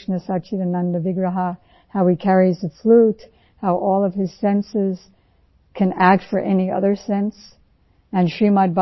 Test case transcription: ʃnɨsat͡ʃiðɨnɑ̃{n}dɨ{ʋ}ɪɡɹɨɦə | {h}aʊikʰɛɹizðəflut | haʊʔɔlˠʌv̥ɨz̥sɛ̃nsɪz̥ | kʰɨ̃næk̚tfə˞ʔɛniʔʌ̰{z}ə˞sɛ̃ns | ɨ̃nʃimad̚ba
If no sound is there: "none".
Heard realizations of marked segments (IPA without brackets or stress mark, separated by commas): n, v, h, ð